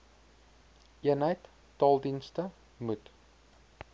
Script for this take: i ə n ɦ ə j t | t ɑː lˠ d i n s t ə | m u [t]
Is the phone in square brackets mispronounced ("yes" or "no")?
no